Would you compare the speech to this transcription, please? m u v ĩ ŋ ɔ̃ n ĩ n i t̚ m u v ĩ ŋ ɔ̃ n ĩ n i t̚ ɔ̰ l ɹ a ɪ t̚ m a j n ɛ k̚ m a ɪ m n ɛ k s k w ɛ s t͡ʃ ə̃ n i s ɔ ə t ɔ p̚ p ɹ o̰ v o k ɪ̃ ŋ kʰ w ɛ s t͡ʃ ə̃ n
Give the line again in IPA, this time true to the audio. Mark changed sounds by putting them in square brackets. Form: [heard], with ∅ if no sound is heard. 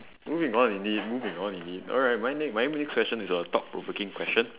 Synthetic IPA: m u v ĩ ŋ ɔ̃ n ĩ n i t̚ m u v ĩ ŋ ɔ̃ n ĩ n i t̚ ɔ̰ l ɹ a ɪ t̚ m a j n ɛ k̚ m a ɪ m n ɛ k s k w ɛ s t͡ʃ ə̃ n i s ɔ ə t ɔ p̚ p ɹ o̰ v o k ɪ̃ ŋ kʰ w ɛ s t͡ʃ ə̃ n

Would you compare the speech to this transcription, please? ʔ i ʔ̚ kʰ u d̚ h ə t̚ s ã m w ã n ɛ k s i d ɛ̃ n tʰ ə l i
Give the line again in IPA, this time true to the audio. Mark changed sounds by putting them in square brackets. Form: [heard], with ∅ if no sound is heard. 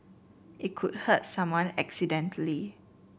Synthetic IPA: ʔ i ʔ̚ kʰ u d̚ h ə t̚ s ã m w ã n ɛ k s i d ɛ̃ n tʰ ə l i

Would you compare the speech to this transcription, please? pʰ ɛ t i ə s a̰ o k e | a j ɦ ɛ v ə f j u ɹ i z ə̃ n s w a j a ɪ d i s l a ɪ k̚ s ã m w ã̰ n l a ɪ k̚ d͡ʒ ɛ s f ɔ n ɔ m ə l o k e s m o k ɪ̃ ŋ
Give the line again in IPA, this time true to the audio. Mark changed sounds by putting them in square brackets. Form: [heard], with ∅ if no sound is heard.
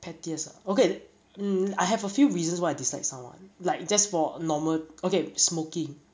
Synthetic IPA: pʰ ɛ t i ə s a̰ o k e | a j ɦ ɛ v ə f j u ɹ i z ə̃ n s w a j a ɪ d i s l a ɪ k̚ s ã m w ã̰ n l a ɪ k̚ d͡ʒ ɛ s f ɔ n ɔ m ə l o k e s m o k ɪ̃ ŋ

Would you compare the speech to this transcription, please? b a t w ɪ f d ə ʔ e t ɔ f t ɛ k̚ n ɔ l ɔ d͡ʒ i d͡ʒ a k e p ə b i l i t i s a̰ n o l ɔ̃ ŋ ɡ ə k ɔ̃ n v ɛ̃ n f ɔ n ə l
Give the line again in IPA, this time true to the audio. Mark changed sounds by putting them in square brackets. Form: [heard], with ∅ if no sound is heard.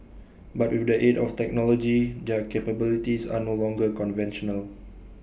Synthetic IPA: b a t w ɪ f d ə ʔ e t ɔ f t ɛ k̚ n ɔ l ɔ d͡ʒ i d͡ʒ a k e p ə b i l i t i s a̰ n o l ɔ̃ ŋ ɡ ə k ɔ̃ n v ɛ̃ n [ʃ] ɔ n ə l

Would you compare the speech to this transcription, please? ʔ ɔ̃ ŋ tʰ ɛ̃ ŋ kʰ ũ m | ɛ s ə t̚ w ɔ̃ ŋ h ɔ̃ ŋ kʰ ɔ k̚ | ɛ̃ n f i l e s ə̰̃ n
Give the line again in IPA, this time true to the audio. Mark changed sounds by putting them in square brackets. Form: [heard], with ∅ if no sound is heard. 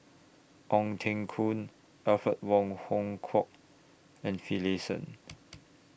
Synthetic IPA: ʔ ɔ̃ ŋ tʰ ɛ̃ ŋ kʰ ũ [n] | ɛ [f] ə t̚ w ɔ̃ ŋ h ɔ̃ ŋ kʰ ɔ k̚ | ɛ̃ n f i l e s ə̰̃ n

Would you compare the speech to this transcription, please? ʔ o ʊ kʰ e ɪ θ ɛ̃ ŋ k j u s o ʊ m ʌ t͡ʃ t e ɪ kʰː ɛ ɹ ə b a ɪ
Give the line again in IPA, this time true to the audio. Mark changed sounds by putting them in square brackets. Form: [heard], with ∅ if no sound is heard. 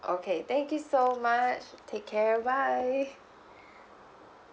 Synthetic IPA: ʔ o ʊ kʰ e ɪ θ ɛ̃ ŋ k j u s o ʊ m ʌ t͡ʃ [tʰ] e ɪ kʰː ɛ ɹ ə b a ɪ

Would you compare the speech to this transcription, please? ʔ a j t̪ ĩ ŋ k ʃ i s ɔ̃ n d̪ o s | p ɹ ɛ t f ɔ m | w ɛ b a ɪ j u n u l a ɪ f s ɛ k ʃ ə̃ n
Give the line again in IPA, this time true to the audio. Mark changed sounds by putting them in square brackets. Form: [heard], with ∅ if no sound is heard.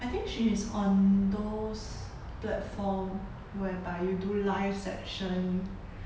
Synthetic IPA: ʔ a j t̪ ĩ ŋ k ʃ i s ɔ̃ n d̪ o s | p [l] ɛ t f ɔ m | w ɛ b a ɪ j u [d] u l a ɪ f s ɛ k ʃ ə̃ n

